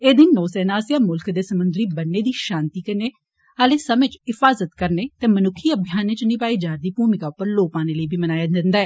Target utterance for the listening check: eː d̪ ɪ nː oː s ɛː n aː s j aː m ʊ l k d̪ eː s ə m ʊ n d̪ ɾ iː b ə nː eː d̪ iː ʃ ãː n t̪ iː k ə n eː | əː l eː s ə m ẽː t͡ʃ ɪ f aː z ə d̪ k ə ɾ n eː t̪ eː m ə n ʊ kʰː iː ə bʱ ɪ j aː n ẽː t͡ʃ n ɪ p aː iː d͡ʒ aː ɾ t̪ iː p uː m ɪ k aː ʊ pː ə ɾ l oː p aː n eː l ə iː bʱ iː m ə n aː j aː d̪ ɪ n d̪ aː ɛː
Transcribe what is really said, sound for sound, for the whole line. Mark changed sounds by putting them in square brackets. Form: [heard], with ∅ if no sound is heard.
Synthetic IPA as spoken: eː d̪ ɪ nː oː s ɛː n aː s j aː m ʊ l k d̪ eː s ə m ʊ n d̪ ɾ iː b ə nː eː d̪ iː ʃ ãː n t̪ iː k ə n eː | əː l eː s ə m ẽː t͡ʃ ɪ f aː z ə [t̪] k ə ɾ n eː t̪ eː m ə n ʊ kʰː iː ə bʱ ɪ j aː n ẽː t͡ʃ n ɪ p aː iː d͡ʒ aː ɾ [d̪] iː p uː m ɪ k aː ʊ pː ə ɾ l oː p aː n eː l ə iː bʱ iː m ə n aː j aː d̪ ɪ n d̪ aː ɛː

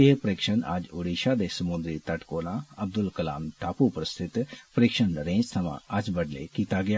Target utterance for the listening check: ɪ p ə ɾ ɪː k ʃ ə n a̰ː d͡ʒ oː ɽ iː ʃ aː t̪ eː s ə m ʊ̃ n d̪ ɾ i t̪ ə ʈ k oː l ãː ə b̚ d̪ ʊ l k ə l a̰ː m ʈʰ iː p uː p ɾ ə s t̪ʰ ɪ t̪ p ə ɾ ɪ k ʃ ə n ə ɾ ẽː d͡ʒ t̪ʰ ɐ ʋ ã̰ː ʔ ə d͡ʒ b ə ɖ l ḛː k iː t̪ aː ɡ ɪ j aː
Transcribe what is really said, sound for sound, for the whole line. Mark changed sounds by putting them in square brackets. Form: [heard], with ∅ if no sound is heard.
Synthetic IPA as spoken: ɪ p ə ɾ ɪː k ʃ ə n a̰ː d͡ʒ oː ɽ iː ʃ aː [d̪] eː s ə m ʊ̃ n d̪ ɾ i t̪ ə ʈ k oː l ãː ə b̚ d̪ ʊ l k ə l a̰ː m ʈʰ [aː] p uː p ɾ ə s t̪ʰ ɪ t̪ p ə ɾ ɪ k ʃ ə n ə ɾ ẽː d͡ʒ t̪ʰ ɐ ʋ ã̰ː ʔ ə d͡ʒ b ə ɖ l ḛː k iː t̪ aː ɡ ɪ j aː

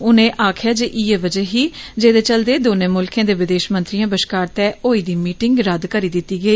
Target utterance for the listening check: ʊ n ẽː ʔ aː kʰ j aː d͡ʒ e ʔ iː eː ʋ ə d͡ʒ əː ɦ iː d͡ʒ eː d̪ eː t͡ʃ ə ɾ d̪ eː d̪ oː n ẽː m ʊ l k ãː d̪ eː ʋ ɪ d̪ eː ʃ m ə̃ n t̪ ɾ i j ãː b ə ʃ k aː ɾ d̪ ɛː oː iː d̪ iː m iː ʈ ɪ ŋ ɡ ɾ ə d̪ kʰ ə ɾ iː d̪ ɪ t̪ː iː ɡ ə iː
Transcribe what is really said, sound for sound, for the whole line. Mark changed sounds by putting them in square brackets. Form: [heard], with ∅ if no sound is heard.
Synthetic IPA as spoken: ʊ n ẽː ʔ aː kʰ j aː d͡ʒ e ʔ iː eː ʋ ə d͡ʒ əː ɦ iː d͡ʒ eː d̪ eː t͡ʃ ə [l] d̪ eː d̪ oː n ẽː m ʊ l k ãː d̪ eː ʋ ɪ d̪ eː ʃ m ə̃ n t̪ ɾ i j ãː b ə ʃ k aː ɾ [t̪] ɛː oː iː d̪ iː m iː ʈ ɪ ŋ ɡ ɾ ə d̪ [k] ə ɾ iː d̪ ɪ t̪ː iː ɡ ə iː

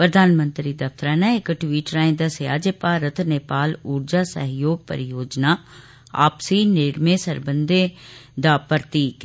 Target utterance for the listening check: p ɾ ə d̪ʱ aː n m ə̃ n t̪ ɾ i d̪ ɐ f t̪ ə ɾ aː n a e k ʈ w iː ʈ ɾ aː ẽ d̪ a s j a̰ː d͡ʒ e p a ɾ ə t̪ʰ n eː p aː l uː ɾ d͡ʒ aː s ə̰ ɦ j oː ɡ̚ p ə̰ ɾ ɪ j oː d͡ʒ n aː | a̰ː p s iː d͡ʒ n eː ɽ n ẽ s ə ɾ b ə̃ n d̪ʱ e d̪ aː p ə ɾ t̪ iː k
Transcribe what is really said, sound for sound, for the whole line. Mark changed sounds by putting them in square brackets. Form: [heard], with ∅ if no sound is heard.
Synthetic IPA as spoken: p ɾ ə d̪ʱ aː n m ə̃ n t̪ ɾ i d̪ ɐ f t̪ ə ɾ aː n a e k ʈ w iː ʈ ɾ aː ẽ d̪ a s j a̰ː d͡ʒ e p a ɾ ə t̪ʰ n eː p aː l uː ɾ d͡ʒ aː s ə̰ ɦ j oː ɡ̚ p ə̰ ɾ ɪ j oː d͡ʒ n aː | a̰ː p s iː [∅] n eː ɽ [m] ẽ s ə ɾ b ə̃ n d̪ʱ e d̪ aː p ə ɾ t̪ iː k

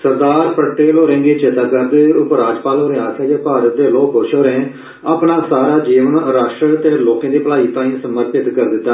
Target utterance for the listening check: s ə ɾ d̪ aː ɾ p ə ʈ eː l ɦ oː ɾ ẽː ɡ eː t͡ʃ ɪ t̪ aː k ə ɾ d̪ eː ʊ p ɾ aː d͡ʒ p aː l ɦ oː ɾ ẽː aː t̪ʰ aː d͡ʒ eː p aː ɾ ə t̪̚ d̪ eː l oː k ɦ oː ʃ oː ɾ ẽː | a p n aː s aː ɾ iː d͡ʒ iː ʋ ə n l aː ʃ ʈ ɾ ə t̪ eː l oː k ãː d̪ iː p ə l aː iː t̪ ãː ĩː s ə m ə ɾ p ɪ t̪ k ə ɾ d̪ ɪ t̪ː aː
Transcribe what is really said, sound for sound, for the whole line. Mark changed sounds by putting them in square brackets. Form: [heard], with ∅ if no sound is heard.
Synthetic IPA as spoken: s ə ɾ d̪ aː ɾ p ə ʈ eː l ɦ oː ɾ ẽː ɡ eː t͡ʃ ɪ t̪ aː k ə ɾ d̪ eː ʊ p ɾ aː d͡ʒ p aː l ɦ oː ɾ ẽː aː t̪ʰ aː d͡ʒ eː p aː ɾ ə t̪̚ d̪ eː l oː k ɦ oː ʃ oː ɾ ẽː | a p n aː s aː ɾ [aː] d͡ʒ iː ʋ ə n [ɾ] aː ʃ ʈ ɾ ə t̪ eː l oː k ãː d̪ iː p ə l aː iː t̪ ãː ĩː s ə m ə ɾ p ɪ t̪ k ə ɾ d̪ ɪ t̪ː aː

